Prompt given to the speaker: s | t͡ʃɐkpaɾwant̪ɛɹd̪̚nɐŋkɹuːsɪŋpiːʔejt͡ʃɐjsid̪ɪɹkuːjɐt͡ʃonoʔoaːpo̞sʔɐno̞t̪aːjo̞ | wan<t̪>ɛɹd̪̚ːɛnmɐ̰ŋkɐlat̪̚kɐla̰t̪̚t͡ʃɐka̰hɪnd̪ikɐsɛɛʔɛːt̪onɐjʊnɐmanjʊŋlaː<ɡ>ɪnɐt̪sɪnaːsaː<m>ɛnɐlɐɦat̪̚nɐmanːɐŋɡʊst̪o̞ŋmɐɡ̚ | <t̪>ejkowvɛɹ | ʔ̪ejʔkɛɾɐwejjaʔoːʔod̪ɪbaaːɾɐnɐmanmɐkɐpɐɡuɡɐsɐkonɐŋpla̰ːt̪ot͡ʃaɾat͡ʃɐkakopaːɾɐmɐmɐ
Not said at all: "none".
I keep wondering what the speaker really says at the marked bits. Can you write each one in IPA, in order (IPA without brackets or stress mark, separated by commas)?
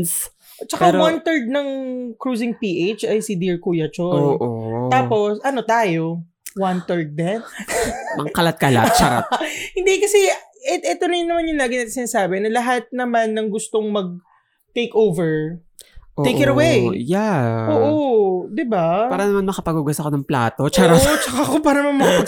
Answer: t̪, ɡ, b, t̪